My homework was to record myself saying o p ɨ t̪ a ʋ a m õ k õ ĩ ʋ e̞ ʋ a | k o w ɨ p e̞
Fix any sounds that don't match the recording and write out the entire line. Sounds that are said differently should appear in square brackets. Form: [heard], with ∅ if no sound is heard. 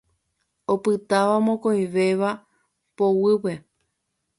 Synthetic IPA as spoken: o p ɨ t̪ a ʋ a m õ k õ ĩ ʋ e̞ ʋ a | [p] o w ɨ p e̞

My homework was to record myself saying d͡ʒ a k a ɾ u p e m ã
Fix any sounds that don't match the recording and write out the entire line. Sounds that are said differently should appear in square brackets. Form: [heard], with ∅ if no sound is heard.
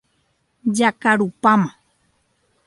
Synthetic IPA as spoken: d͡ʒ a k a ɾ u p [a] m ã

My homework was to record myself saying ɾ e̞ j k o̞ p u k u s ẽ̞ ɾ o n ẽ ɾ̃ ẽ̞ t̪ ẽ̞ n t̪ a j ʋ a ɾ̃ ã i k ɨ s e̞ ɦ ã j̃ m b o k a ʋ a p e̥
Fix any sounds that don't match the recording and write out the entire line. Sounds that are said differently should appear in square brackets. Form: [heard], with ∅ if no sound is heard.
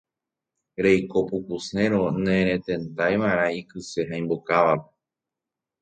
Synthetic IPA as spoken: ɾ e̞ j k o̞ p u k u s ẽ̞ ɾ o n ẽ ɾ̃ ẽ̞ t̪ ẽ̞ n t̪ a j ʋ a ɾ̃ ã i k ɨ s e̞ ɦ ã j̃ m b o k a ʋ a p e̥

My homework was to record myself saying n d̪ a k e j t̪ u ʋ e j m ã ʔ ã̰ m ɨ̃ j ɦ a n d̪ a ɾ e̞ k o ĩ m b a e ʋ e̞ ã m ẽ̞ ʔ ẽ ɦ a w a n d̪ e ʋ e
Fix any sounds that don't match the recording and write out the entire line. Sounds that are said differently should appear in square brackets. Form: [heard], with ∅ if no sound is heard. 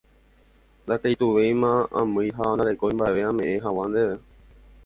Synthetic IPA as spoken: n d̪ a k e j t̪ u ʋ e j m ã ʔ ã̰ m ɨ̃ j ɦ a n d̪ a ɾ e̞ k o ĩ m b a e ʋ e̞ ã m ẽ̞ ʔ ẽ ɦ a w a n d̪ e ʋ e

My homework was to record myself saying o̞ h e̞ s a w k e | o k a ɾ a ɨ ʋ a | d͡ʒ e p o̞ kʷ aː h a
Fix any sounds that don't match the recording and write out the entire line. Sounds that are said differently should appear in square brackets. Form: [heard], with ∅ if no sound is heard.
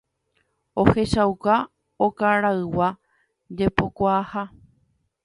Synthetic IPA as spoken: o̞ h e̞ [ʃ] a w k [a] | o k a ɾ a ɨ [w] a | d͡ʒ e p o̞ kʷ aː h a

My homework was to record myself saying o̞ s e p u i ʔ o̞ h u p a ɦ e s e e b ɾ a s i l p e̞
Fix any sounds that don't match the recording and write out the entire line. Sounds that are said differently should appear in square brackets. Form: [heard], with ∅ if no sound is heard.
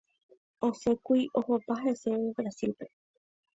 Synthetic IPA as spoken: o̞ s e [k] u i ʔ o̞ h [o] p a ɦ e s e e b ɾ a s i l p e̞

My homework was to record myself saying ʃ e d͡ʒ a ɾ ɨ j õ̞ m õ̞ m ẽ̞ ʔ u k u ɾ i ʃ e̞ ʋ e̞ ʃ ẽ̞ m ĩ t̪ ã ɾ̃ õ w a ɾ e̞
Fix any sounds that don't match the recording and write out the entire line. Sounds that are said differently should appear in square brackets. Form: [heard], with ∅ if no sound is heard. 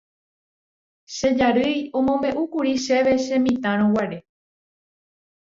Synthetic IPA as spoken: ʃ e d͡ʒ a ɾ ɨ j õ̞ m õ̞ m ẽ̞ ʔ u k u ɾ i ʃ e̞ ʋ e̞ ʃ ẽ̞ m ĩ t̪ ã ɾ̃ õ w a ɾ e̞

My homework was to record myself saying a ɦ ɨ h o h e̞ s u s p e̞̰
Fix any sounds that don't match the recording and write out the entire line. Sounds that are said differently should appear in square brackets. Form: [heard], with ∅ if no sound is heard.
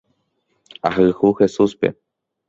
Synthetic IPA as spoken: a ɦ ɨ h [u] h e̞ s u s p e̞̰

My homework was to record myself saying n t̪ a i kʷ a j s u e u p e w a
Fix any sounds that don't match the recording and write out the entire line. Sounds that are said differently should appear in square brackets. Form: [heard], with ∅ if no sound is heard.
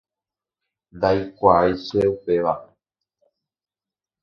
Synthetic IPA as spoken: n [d̪] a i kʷ a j s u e u p e [ʋ] a

